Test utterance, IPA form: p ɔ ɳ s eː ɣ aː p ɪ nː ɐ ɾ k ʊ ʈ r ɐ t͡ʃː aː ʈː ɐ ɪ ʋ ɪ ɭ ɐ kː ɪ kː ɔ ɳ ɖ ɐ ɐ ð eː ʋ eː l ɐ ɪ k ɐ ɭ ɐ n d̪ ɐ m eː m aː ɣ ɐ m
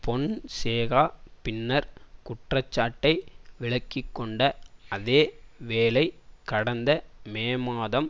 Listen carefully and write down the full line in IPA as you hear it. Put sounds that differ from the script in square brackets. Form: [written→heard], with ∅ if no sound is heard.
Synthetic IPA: p ɔ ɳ s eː ɣ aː p ɪ nː ɐ ɾ k ʊ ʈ r ɐ t͡ʃː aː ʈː ɐ ɪ ʋ ɪ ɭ ɐ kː ɪ kː ɔ ɳ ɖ ɐ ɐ ð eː ʋ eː l ɐ ɪ k ɐ [ɭ→ɽ] ɐ n d̪ ɐ m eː m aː [ɣ→ð] ɐ m